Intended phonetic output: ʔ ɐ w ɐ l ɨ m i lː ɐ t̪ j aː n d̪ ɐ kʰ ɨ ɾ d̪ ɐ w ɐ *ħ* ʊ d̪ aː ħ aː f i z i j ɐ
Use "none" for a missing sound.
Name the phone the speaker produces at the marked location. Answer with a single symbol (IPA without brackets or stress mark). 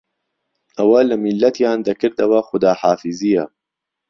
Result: x